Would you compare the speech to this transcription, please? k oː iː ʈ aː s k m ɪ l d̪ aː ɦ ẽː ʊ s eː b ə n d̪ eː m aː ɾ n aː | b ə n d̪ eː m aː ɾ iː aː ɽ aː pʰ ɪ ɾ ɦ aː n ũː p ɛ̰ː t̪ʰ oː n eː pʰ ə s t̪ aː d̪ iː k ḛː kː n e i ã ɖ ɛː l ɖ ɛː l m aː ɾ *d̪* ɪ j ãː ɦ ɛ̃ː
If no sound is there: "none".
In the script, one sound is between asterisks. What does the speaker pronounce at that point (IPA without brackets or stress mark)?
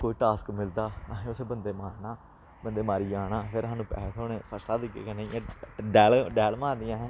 d̪